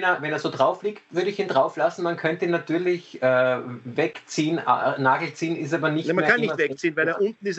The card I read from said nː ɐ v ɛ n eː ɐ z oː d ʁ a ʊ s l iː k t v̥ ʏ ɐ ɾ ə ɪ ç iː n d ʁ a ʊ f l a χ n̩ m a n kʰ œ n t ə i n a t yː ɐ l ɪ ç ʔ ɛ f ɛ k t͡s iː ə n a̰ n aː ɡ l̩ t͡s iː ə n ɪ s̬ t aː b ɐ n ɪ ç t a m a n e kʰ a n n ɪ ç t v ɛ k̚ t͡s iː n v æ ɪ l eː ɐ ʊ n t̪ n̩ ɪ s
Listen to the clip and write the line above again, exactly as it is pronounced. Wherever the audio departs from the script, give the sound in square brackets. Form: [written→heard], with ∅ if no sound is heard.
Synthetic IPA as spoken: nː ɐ v ɛ n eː ɐ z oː d ʁ a ʊ [s→f] l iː k t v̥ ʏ ɐ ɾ ə ɪ ç iː n d ʁ a ʊ f l a [χ→s] n̩ m a n kʰ œ n t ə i n a t yː ɐ l ɪ ç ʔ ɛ [f→v] ɛ k t͡s iː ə n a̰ n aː ɡ l̩ t͡s iː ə n ɪ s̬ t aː b ɐ n ɪ ç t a m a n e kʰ a n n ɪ ç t v ɛ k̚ t͡s iː n v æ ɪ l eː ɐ ʊ n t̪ n̩ ɪ s